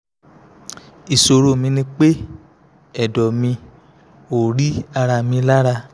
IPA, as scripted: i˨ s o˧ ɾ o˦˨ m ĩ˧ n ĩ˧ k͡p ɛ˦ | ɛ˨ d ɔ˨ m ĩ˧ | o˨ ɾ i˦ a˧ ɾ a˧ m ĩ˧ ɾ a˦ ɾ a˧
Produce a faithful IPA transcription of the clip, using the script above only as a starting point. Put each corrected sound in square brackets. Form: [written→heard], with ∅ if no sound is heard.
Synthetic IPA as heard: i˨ s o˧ ɾ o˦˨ m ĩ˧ n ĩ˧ k͡p [ɛ˦→e˦] | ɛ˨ d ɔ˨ m ĩ˧ | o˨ ɾ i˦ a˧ ɾ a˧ m ĩ˧ [ɾ→l] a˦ ɾ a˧